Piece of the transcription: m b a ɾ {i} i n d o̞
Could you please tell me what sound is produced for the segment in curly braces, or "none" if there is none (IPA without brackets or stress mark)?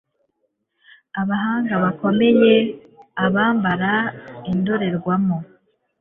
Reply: a